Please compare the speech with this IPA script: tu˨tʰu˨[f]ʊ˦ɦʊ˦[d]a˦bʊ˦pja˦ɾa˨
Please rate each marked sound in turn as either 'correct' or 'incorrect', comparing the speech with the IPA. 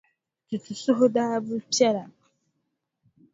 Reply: incorrect, correct

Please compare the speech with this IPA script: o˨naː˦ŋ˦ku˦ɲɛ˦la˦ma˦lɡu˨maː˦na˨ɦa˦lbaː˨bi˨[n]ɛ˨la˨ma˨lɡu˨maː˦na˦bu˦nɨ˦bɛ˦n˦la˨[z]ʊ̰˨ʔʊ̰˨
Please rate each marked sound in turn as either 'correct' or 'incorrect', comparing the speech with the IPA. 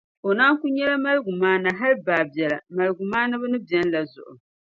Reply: incorrect, correct

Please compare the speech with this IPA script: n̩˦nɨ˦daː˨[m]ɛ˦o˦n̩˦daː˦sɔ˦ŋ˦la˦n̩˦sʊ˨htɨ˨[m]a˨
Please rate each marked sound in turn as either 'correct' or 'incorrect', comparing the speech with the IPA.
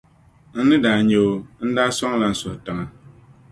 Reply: incorrect, incorrect

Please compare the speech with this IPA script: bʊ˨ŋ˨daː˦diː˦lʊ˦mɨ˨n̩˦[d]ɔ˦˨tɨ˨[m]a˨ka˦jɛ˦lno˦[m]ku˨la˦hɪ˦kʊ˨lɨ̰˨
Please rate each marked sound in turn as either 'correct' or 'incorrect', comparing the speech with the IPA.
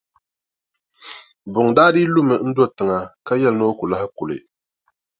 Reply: correct, incorrect, incorrect

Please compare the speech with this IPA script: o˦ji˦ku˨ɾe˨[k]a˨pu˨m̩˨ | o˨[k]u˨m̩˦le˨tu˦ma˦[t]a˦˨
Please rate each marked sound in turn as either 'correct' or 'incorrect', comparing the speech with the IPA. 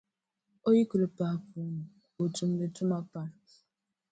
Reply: incorrect, incorrect, incorrect

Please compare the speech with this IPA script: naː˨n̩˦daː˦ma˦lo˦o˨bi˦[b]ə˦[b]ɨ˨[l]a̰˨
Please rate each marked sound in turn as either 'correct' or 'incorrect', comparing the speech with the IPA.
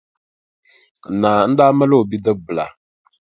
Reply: incorrect, correct, correct

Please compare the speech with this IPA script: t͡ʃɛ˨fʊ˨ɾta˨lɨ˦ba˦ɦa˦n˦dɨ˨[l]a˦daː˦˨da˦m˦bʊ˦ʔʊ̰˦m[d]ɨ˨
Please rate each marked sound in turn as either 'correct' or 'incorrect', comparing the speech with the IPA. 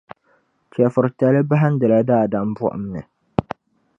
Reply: correct, incorrect

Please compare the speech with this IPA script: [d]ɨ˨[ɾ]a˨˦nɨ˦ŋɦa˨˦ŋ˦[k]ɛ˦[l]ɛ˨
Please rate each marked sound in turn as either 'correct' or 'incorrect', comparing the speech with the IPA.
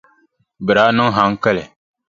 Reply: incorrect, correct, correct, correct

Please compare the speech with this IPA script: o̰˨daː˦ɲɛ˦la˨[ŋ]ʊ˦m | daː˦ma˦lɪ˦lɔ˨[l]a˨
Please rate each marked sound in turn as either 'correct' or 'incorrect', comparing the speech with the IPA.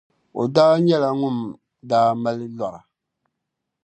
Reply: correct, incorrect

